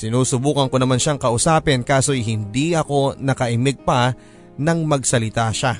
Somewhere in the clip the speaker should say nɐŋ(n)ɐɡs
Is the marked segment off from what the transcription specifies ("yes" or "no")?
yes